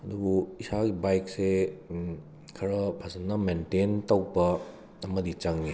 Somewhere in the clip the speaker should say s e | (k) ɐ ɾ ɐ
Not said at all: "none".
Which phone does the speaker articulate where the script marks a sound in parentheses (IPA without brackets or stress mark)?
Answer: kʰ